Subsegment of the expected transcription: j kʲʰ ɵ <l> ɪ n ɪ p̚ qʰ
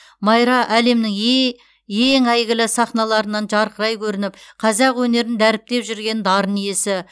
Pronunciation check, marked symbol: incorrect: ɾ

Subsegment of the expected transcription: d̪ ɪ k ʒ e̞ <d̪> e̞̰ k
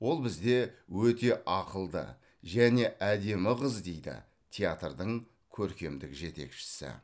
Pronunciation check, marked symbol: incorrect: t̪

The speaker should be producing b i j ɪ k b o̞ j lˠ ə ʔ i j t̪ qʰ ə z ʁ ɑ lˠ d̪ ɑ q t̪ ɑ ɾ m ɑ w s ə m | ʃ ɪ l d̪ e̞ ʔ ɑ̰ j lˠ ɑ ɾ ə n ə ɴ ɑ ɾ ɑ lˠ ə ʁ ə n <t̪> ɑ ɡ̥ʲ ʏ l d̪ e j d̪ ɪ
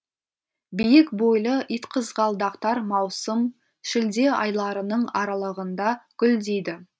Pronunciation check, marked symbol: incorrect: d̪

